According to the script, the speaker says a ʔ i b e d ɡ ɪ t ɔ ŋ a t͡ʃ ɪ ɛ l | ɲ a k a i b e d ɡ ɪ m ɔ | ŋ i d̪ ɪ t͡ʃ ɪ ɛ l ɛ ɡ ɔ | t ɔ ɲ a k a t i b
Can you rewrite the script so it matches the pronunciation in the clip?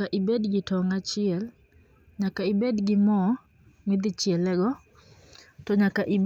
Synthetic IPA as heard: a ʔ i b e d ɡ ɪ t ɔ ŋ a t͡ʃ ɪ ɛ l | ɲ a k a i b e d ɡ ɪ m ɔ | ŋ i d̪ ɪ t͡ʃ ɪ ɛ l ɛ ɡ ɔ | t ɔ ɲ a k a ʔ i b